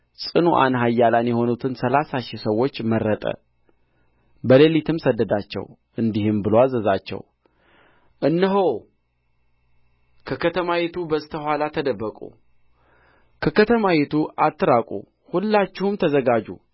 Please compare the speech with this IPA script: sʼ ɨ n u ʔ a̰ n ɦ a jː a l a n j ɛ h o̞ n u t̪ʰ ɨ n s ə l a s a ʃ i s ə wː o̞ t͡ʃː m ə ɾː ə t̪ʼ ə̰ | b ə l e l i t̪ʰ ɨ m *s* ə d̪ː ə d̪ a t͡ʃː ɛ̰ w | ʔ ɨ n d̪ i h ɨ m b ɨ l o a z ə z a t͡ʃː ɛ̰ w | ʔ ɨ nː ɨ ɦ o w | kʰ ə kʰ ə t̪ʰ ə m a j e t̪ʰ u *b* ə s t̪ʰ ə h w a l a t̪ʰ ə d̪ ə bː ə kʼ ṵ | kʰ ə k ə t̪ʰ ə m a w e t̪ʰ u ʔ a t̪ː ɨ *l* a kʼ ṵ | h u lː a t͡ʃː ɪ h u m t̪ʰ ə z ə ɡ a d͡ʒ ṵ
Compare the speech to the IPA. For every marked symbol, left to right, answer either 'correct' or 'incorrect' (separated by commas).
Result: correct, correct, incorrect